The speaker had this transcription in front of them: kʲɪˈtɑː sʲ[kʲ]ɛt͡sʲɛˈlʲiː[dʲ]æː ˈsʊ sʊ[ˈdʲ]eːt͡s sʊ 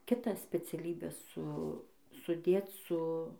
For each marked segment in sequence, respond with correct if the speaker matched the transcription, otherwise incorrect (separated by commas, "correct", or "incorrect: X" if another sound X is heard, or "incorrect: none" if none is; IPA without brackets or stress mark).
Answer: incorrect: pʲ, incorrect: bʲ, correct